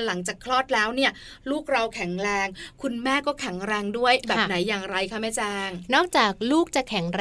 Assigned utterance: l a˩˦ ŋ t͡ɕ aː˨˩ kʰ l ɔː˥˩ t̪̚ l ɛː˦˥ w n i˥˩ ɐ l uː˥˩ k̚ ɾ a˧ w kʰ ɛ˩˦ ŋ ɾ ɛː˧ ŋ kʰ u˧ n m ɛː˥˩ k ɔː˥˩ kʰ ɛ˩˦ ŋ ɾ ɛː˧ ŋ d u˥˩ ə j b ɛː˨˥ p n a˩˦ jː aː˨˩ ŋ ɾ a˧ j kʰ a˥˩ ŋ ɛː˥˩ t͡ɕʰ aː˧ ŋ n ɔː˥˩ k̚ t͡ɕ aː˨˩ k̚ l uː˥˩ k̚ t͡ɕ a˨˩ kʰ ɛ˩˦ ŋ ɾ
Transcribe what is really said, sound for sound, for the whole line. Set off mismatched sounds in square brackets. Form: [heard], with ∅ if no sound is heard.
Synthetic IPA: l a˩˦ ŋ t͡ɕ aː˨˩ kʰ l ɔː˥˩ t̪̚ l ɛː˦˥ w n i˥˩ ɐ l uː˥˩ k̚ ɾ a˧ w kʰ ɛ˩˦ ŋ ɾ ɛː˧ ŋ kʰ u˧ n m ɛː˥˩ k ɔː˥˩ kʰ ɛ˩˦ ŋ ɾ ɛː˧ ŋ d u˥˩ ə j b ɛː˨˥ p n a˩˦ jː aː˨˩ ŋ ɾ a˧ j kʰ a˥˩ [m] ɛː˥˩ [t͡ɕ] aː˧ ŋ n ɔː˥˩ k̚ t͡ɕ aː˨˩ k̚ l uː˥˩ k̚ t͡ɕ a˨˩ kʰ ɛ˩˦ ŋ ɾ